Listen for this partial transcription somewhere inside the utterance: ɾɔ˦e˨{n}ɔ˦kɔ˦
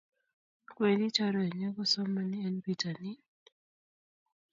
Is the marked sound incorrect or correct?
incorrect